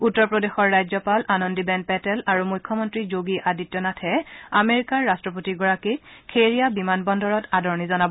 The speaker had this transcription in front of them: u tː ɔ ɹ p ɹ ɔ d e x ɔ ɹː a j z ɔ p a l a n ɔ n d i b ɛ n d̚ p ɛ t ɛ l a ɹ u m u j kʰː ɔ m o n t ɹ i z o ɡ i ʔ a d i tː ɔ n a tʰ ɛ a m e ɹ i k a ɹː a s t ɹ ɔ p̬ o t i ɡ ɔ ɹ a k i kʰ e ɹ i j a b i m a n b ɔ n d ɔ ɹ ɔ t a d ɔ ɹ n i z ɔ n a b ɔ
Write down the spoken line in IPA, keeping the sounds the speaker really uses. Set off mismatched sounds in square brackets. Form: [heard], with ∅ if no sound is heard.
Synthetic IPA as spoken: u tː ɔ ɹ p ɹ ɔ d e x ɔ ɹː a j z ɔ p a l a n ɔ n d i b ɛ n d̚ p ɛ t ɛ l a ɹ u m u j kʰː ɔ m [ɔ] n t ɹ i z o ɡ i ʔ a d i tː ɔ n a tʰ ɛ a m e ɹ i k a ɹː a s t ɹ ɔ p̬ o t i ɡ ɔ ɹ a k i kʰ e ɹ i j a b i m a n b ɔ n d ɔ ɹ ɔ t a d ɔ ɹ n i z ɔ n a b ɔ